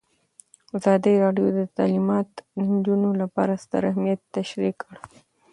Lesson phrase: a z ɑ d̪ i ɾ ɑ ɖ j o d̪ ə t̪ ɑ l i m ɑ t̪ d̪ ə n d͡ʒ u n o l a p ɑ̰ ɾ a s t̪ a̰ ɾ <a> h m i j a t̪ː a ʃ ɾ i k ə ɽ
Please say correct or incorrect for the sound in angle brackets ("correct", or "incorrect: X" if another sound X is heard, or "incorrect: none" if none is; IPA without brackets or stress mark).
correct